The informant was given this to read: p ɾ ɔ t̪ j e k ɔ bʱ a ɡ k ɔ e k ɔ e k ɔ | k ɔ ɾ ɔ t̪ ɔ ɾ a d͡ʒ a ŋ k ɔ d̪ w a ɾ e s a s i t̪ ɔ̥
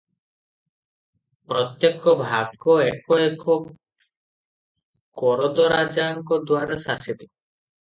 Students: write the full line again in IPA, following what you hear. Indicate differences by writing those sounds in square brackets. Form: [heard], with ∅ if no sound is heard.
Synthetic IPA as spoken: p ɾ ɔ t̪ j e k ɔ bʱ a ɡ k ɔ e k ɔ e k ɔ | k ɔ ɾ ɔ [d̪] ɔ ɾ a d͡ʒ a ŋ k ɔ d̪ w a ɾ [a] s a s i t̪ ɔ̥